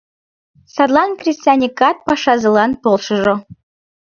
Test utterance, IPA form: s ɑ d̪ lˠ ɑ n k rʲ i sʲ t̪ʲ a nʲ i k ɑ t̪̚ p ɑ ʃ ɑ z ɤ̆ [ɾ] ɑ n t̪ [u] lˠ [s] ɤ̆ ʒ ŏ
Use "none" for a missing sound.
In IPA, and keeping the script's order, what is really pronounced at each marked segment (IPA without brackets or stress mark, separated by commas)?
l, o, ʃ